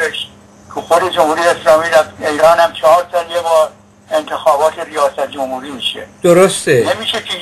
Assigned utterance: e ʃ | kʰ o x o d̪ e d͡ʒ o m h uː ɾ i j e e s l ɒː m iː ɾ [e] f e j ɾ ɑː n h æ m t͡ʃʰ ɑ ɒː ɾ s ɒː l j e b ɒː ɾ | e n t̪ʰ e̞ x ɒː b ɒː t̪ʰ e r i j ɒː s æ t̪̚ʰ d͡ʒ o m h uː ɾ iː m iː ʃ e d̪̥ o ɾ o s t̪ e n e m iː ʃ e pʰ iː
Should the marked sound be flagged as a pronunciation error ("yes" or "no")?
yes